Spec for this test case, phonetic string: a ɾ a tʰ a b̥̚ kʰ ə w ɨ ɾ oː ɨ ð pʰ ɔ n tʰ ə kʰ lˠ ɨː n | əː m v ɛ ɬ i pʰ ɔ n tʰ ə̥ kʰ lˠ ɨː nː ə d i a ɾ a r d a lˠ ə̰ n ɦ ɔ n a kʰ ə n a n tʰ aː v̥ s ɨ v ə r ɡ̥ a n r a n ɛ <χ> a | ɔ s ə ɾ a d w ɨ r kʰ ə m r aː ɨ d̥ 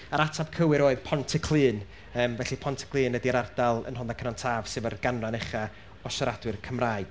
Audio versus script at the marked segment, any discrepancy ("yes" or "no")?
no